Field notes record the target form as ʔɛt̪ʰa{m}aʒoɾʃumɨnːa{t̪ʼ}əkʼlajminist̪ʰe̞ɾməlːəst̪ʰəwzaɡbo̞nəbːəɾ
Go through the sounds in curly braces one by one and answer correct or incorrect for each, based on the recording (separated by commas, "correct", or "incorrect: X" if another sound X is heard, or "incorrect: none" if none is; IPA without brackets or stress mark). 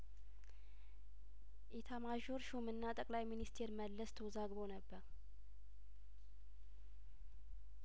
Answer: correct, correct